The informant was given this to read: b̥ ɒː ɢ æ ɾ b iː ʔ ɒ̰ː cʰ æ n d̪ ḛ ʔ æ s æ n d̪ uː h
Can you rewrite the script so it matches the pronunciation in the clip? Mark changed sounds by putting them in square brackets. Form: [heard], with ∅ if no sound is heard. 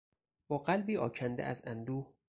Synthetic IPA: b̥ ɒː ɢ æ [l] b iː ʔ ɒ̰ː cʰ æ n d̪ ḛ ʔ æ [z] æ n d̪ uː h